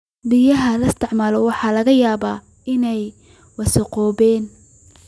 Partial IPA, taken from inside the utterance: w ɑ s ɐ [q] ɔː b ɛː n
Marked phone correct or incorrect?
correct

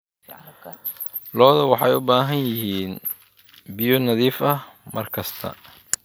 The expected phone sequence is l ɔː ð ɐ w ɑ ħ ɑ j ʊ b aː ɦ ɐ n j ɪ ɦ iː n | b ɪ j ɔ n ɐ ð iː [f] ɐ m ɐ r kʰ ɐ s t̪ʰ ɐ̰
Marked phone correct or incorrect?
correct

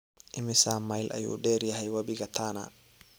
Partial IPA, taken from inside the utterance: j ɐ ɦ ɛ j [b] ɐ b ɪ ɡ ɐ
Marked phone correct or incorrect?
incorrect: w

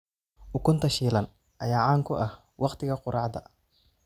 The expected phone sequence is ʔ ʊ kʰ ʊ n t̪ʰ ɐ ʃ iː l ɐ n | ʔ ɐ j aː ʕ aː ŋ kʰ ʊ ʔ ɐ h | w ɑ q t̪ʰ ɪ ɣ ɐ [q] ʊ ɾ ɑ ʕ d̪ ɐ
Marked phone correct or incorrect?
correct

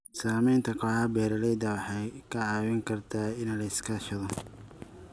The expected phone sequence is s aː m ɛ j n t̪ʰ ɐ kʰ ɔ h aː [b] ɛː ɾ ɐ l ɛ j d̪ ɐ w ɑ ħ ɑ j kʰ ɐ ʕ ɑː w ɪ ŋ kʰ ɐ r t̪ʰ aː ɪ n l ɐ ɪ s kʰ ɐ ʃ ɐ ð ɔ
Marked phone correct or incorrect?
correct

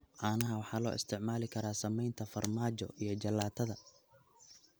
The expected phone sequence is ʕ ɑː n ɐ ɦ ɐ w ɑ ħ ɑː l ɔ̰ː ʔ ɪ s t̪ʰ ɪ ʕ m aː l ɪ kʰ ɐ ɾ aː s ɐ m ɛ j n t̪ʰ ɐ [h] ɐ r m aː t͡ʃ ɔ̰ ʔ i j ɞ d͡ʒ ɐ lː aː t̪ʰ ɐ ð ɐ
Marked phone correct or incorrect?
incorrect: f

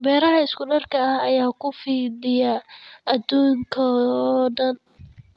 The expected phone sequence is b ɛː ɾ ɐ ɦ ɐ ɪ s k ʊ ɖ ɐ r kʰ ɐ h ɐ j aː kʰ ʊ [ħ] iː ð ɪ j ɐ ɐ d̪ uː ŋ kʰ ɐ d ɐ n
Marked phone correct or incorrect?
incorrect: f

